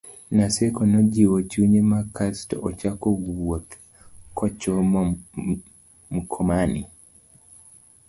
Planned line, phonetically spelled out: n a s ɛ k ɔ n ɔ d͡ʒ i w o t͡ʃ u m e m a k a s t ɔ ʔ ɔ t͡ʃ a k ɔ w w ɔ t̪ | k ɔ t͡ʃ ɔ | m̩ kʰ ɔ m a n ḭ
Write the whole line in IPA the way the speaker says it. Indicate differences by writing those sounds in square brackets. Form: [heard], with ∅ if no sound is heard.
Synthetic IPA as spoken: n a s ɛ k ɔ n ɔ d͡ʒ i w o t͡ʃ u [ɲ] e m a k a s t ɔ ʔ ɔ t͡ʃ a k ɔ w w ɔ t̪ | k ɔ t͡ʃ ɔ | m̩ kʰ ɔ m a n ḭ